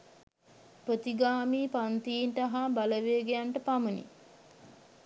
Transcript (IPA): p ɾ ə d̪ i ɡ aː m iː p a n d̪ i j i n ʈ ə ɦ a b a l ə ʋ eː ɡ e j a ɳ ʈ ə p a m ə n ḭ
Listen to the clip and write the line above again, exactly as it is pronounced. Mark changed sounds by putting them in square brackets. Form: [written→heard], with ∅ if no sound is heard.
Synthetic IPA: p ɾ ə [d̪→t̪] i ɡ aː m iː p a n [d̪→t̪] i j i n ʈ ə ɦ a b a l ə ʋ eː ɡ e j a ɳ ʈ ə p a m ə n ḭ